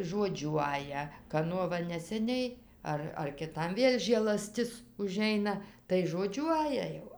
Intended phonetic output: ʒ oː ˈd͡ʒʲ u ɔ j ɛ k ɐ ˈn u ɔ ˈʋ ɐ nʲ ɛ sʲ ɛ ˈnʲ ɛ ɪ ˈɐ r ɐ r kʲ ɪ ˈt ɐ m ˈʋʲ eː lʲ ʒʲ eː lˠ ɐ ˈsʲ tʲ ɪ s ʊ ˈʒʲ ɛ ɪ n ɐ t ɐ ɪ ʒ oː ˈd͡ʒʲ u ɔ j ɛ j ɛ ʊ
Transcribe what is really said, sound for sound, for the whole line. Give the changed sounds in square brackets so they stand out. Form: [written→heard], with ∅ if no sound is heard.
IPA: ʒ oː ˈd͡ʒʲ u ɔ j ɛ k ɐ ˈn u ɔ ˈʋ ɐ nʲ ɛ sʲ ɛ ˈnʲ ɛ ɪ ˈɐ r ɐ r kʲ ɪ ˈt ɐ m ˈʋʲ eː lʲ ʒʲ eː lˠ ɐ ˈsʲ tʲ ɪ s ʊ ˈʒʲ ɛ ɪ n ɐ t ɐ ɪ ʒ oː ˈd͡ʒʲ u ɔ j ɛ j ɛ ʊ